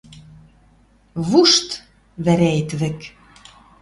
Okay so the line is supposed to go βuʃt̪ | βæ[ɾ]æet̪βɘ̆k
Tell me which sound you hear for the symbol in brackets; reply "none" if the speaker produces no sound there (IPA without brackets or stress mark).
ɾ